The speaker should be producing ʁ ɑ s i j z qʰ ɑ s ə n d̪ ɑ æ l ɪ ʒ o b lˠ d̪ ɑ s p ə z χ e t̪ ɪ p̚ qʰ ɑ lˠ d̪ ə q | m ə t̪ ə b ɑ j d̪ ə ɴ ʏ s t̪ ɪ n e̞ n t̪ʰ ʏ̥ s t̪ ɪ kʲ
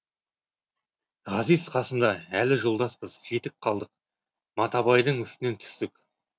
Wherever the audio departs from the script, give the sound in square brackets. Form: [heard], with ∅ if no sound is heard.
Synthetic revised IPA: ʁ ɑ [z] i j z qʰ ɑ s ə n d̪ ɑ æ l ɪ ʒ o [∅] lˠ d̪ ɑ s p ə z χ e t̪ ɪ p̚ qʰ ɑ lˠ d̪ ə q | m [ɑ] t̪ [ɑ] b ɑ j d̪ ə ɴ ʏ s t̪ ɪ n e̞ n t̪ʰ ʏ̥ s t̪ ɪ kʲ